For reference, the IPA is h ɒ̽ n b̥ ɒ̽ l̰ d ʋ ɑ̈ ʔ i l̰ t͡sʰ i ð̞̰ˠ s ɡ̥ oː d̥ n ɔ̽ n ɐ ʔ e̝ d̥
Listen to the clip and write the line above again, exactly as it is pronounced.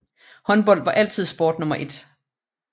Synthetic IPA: h ɒ̽ n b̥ ɒ̽ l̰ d ʋ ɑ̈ ʔ æ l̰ t͡sʰ i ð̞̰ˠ s b̥ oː d̥ n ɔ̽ m ɐ ʔ e̝ d̥